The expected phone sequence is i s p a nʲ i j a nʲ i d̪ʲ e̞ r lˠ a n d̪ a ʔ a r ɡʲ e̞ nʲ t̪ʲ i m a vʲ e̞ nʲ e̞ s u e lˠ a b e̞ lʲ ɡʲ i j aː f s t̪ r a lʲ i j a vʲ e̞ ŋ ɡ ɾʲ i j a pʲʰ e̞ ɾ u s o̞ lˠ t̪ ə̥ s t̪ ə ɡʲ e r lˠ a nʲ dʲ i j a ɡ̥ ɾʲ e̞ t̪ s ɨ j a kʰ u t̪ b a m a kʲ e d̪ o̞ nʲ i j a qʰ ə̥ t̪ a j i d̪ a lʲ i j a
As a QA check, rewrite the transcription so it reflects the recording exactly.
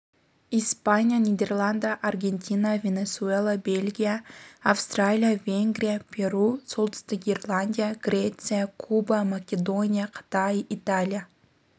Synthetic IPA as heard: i s p a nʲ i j a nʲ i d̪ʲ e̞ r lˠ a n d̪ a ʔ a r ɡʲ e̞ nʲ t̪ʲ i n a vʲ e̞ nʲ e̞ s u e lˠ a b e̞ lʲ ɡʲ i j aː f s t̪ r a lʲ i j a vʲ e̞ ŋ ɡ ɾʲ i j a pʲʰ e̞ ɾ u s o̞ lˠ t̪ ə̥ s t̪ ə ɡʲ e r lˠ a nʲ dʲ i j a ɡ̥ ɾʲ e̞ t̪ s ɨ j a kʰ u b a m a kʲ e d̪ o̞ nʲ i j a qʰ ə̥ t̪ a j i t̪ a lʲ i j a

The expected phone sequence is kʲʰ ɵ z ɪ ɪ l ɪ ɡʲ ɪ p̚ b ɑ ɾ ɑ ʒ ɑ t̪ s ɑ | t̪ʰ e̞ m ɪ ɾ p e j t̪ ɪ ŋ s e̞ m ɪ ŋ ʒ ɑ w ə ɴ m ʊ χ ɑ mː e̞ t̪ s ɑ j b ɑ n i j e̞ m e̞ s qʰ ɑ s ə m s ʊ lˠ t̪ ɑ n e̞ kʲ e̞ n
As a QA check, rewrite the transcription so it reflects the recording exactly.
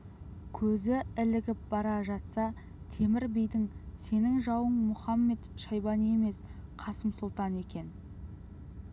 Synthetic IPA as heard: kʲʰ ɵ z ɪ ɪ l ɪ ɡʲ ɪ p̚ b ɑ ɾ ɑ ʒ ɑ t̪ s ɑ | t̪ʰ e̞ m ɪ ɾ b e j d̪ ɪ ŋ s e̞ n ɪ ŋ ʒ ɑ w ə ɴ m ʊ χ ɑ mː e̞ t̪ ʃ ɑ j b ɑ n i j e̞ m e̞ s qʰ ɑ s ə m s ʊ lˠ t̪ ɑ n e̞ kʲ e̞ n

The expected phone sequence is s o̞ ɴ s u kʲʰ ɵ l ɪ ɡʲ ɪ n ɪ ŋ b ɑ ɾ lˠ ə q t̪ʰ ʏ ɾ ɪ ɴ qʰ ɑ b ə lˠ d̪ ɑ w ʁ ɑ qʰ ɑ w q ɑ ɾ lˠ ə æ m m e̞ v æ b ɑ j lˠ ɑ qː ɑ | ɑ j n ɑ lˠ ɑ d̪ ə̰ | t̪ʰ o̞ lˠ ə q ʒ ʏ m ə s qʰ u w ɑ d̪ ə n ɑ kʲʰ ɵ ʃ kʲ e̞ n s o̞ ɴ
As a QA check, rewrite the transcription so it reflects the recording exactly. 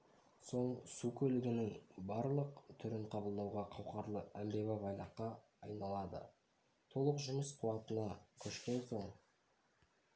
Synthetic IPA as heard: s o̞ ɴ s u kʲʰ ɵ l ɪ ɡʲ ɪ n ɪ ŋ b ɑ ɾ lˠ ə q t̪ʰ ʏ ɾ ɪ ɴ qʰ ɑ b ə lˠ d̪ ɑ w ʁ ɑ qʰ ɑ w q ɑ ɾ lˠ ə æ m b e̞ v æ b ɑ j lˠ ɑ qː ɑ | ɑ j n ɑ lˠ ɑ d̪ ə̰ | t̪ʰ o̞ lˠ ə q ʒ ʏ m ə s qʰ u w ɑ t̪ ə n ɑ kʲʰ ɵ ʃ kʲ e̞ n s o̞ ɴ

